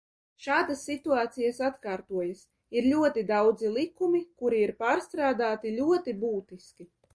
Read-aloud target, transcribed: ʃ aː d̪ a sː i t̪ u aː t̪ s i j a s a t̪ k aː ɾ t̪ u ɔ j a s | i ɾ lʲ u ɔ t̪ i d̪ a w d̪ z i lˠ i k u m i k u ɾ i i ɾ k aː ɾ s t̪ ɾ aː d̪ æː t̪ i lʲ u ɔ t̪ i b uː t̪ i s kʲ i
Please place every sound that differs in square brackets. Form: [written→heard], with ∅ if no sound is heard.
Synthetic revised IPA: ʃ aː d̪ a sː i t̪ u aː t̪ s i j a s a t̪ k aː ɾ t̪ u ɔ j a s | i ɾ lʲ u ɔ t̪ i d̪ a w d̪ z i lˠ i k u m i k u ɾ i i ɾ [k→p] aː ɾ s t̪ ɾ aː d̪ [æː→aː] t̪ i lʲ u ɔ t̪ i b uː t̪ i s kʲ i